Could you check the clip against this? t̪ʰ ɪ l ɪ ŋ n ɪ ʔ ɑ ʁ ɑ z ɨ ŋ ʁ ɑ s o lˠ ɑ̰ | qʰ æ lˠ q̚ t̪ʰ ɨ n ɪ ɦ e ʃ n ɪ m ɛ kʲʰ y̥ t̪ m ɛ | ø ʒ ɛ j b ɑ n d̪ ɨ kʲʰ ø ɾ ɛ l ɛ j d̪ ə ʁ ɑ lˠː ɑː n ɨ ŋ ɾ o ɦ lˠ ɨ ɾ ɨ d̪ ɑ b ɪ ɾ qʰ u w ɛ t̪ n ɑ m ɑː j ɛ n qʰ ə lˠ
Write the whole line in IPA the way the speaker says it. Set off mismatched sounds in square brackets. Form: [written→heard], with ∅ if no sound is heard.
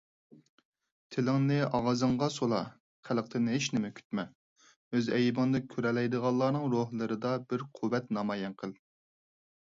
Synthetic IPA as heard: t̪ʰ ɪ l ɪ ŋ n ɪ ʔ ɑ ʁ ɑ z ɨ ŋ ʁ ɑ s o lˠ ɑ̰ | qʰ æ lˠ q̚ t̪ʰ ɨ n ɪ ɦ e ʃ n ɪ m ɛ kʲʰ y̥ t̪ m ɛ | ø [ʒ→z] ɛ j b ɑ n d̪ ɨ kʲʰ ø ɾ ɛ l ɛ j d̪ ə ʁ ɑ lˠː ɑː n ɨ ŋ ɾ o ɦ lˠ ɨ ɾ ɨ d̪ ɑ b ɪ ɾ qʰ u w ɛ t̪ n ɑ m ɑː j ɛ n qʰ ə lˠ